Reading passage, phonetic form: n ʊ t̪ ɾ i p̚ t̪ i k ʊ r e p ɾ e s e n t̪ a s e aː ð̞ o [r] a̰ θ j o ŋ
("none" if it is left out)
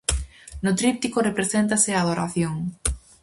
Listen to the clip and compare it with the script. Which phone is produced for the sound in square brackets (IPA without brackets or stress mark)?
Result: ɾ